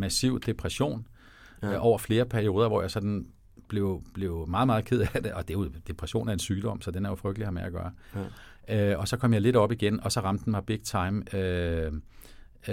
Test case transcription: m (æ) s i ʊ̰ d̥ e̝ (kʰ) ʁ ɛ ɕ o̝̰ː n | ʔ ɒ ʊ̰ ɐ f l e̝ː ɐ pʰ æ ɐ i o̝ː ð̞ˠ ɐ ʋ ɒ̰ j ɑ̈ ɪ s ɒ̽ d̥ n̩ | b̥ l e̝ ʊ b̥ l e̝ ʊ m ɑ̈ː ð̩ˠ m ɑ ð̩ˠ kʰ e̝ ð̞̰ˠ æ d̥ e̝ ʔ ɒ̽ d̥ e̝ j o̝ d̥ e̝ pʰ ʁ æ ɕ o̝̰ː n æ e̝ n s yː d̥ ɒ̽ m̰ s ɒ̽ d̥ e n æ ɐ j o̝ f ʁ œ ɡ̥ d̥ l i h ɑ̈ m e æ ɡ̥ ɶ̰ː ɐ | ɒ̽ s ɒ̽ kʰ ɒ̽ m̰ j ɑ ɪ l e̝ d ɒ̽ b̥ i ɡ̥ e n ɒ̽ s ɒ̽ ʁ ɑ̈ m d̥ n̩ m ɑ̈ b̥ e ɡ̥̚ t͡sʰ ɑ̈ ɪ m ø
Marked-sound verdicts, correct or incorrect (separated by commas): correct, incorrect